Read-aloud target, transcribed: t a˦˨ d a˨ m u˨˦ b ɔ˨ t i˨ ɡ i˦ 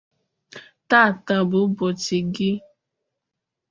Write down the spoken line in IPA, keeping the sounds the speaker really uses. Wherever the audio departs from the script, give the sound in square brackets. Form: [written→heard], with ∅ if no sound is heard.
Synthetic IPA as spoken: t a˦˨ [d→t] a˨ [m→b] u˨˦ b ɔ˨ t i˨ ɡ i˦